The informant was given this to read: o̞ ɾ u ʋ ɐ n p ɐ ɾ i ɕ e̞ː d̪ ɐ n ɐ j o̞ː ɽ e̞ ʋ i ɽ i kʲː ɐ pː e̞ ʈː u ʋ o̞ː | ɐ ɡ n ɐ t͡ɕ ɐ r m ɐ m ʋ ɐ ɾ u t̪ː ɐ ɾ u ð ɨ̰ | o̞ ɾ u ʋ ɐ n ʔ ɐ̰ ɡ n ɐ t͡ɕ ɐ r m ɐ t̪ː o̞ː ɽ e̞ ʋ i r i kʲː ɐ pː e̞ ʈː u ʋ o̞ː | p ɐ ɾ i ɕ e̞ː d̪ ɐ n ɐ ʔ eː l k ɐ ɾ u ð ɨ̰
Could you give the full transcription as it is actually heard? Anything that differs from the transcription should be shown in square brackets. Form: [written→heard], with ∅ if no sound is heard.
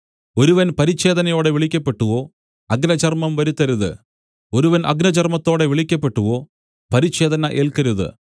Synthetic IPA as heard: o̞ ɾ u ʋ ɐ n p ɐ ɾ i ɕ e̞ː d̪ ɐ n ɐ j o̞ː ɽ e̞ ʋ i [ɽ→ɭ] i kʲː ɐ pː e̞ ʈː u ʋ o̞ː | ɐ ɡ n ɐ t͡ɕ ɐ r m ɐ m ʋ ɐ ɾ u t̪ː ɐ ɾ u ð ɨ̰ | o̞ ɾ u ʋ ɐ n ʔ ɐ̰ ɡ n ɐ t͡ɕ ɐ r m ɐ t̪ː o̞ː ɽ e̞ ʋ i [r→ɭ] i kʲː ɐ pː e̞ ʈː u ʋ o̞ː | p ɐ ɾ i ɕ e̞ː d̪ ɐ n ɐ ʔ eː l k ɐ ɾ u ð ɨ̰